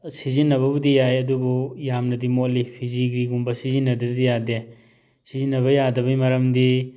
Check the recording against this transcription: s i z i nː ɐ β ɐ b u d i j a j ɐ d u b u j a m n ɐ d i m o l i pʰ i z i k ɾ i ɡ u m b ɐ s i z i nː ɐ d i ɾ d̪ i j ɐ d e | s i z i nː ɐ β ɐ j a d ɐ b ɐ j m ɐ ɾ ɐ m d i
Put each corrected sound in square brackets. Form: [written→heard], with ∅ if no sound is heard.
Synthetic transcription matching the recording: s i z i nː ɐ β ɐ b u d i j a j ɐ d u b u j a m n ɐ d i m o l i pʰ i z i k ɾ i ɡ u m b ɐ s i z i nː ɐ d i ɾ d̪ i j [ɐ→a] d e | s i z i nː ɐ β ɐ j a d ɐ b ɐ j m ɐ ɾ ɐ m d i